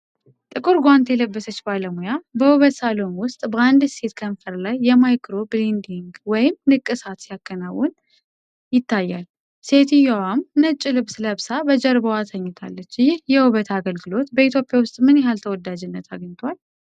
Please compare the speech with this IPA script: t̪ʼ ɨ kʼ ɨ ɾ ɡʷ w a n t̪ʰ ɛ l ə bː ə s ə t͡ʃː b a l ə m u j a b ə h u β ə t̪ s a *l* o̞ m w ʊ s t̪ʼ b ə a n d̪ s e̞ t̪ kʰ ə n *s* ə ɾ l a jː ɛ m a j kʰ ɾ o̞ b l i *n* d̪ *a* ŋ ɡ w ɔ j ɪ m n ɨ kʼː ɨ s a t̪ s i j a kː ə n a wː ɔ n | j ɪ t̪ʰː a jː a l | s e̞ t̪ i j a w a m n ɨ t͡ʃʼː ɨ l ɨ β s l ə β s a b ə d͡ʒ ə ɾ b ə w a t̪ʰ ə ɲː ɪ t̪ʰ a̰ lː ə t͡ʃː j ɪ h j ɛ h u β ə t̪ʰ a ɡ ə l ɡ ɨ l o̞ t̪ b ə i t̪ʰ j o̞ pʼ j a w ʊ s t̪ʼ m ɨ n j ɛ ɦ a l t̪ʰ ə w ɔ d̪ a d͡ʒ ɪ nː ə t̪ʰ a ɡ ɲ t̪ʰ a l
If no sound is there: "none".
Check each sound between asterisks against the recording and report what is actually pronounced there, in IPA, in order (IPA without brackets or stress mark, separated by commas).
l, f, n, i